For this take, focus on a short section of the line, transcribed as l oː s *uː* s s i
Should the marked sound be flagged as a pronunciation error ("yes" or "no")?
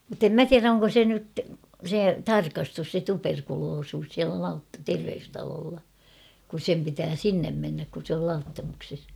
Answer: no